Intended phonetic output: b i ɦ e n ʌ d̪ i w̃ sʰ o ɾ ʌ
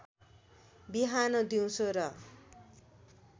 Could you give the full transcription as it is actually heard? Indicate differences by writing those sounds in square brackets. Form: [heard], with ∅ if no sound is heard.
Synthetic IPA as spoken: b i ɦ [a] n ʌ d̪ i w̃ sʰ o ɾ ʌ